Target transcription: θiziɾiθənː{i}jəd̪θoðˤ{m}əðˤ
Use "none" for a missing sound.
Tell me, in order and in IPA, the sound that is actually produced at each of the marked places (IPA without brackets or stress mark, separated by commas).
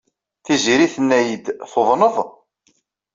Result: æ, n